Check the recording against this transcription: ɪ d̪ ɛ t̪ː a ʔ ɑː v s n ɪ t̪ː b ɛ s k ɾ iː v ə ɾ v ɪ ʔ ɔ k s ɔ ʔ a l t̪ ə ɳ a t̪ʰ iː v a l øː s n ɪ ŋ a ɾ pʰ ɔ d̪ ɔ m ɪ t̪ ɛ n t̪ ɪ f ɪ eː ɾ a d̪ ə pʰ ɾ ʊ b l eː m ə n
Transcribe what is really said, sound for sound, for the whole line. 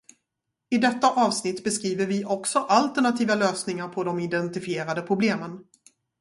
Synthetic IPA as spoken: ɪ d̪ ɛ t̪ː a ʔ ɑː v s n ɪ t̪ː b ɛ s k ɾ iː v ə ɾ v ɪ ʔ ɔ k s ɔ ʔ a l t̪ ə ɳ a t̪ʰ iː v a l øː s n ɪ ŋ a ɾ pʰ ɔ d̪ ɔ m ɪ d̪ ɛ n t̪ ɪ f ɪ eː ɾ a d̪ ə pʰ ɾ ʊ b l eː m ə n